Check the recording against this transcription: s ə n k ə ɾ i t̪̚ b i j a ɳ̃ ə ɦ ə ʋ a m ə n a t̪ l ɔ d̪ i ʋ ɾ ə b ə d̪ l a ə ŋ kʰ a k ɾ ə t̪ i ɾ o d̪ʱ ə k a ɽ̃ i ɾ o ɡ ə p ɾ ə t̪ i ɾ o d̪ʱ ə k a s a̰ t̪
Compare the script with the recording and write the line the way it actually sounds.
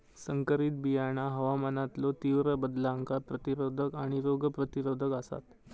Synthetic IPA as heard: s ə ŋ k ə ɾ i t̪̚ b i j a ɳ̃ a ɦ ə ʋ a m ə n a t̪ l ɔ t̪ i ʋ ɾ ə b ə d̪ l a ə ŋ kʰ a p ɾ ə t̪ i ɾ o d̪ʱ ə k a ɽ̃ i ɾ o ɡ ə p ɾ ə t̪ i ɾ o d̪ʱ ə k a s a̰ t̪

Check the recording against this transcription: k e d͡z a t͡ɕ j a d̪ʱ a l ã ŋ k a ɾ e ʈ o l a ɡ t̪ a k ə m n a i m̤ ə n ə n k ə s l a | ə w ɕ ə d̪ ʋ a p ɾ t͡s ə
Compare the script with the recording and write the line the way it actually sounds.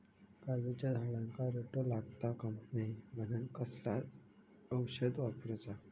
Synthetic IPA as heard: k a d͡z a t͡ɕ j a d̪ʱ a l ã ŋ k a ɾ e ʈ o l a ɡ t̪ a k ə m n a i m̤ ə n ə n k ə s l a | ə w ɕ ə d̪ ʋ a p ɾ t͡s a

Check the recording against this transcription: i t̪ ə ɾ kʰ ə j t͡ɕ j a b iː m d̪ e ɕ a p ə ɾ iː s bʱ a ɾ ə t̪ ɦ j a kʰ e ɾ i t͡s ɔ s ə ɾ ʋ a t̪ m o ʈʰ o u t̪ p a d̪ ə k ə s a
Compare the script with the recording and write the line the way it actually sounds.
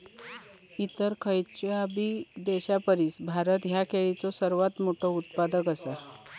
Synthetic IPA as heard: i t̪ ə ɾ kʰ ə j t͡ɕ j a b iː d̪ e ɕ a p ə ɾ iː s bʱ a ɾ ə t̪ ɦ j a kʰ e ɭ i t͡s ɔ s ə ɾ ʋ a t̪ m o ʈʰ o u t̪ p a d̪ ə k ə s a

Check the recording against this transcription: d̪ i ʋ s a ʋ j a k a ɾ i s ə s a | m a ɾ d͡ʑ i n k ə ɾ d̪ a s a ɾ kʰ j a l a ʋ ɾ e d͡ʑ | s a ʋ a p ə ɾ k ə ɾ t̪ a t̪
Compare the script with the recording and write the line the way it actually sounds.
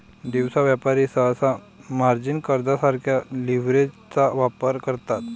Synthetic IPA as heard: d̪ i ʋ s a ʋ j a p a ɾ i s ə s a | m a ɾ d͡ʑ i n k ə ɾ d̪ a s a ɾ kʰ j a l i ʋ ɾ e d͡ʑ | t͡s a ʋ a p ə ɾ k ə ɾ t̪ a t̪

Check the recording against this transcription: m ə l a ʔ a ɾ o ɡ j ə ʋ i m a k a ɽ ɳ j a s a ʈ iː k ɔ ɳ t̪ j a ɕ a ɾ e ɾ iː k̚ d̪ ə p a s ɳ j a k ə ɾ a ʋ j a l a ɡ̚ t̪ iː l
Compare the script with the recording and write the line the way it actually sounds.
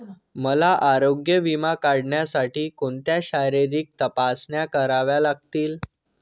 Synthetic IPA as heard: m ə l a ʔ a ɾ o ɡ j ə ʋ i m a k a ɽ ɳ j a s a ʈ iː k o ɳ t̪ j a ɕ a ɾ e ɾ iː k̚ t̪ ə p a s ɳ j a k ə ɾ a ʋ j a l a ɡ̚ t̪ iː l

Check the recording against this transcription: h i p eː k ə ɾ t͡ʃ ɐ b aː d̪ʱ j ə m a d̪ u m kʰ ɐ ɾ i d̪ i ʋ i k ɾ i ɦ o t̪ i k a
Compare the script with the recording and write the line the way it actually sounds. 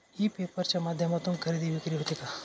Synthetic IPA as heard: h i p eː p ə ɾ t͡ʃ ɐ m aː d̪ʱ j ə m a t̪ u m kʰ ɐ ɾ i d̪ i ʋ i k ɾ i ɦ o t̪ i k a

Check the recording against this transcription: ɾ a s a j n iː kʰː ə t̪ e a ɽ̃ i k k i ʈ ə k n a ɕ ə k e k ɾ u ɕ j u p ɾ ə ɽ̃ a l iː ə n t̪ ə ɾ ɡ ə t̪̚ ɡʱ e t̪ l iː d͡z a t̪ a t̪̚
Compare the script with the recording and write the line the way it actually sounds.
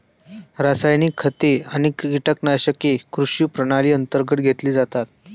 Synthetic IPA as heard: ɾ a s a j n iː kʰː ə t̪ e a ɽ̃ i k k i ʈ ə k n a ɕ ə k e k ɾ u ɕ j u p ɾ ə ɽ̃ a l iː ə n t̪ ə ɾ ɡ ə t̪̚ ɡʱ e t̪ l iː d͡z a t̪ a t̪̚

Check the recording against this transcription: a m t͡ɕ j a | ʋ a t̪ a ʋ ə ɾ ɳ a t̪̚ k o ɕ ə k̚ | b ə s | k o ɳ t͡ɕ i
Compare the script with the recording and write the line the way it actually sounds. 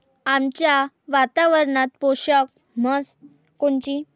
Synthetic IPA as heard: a m t͡ɕ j a | ʋ a t̪ a ʋ ə ɾ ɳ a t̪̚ p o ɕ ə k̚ | m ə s | k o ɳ t͡ɕ i

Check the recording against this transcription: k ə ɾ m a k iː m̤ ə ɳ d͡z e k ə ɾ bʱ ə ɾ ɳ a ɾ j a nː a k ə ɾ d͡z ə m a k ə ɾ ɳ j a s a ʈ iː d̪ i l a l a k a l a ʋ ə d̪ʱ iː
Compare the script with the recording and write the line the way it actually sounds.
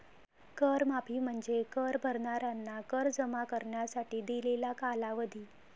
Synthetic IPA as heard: k ə ɾ m a p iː m̤ ə ɳ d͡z e k ə ɾ bʱ ə ɾ ɳ a ɾ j a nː a k ə ɾ d͡z ə m a k ə ɾ ɳ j a s a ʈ iː d̪ i l e l a k a l a ʋ ə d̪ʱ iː

